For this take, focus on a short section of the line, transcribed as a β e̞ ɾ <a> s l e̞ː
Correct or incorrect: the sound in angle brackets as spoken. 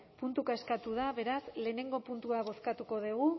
correct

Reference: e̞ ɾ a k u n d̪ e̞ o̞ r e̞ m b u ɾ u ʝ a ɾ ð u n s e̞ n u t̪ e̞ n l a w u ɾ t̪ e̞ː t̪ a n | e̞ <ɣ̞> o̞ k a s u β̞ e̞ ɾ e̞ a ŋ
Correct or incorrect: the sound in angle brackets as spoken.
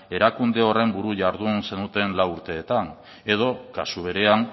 incorrect: ð̞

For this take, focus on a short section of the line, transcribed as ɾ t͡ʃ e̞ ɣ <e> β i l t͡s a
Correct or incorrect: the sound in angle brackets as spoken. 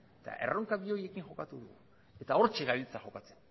incorrect: a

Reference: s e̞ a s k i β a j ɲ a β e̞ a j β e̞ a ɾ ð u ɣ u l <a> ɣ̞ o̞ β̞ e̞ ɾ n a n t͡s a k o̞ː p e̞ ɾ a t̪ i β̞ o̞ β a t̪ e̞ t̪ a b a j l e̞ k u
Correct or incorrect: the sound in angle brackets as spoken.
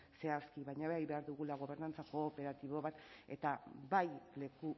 correct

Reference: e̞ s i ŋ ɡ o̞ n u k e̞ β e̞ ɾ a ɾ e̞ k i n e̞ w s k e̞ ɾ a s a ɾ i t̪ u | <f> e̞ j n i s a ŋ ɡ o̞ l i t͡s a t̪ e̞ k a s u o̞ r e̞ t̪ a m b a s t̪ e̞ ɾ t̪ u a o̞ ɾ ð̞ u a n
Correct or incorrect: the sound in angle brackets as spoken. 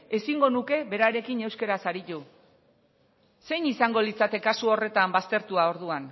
incorrect: s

